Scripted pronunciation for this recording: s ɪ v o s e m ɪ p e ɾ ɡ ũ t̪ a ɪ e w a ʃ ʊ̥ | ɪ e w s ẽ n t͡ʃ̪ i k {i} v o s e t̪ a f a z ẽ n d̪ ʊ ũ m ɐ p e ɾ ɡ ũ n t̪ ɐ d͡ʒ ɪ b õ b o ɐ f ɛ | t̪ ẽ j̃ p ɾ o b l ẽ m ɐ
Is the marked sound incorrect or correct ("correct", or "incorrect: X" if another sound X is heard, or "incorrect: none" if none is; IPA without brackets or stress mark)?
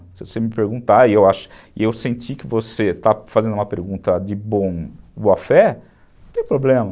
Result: incorrect: ɪ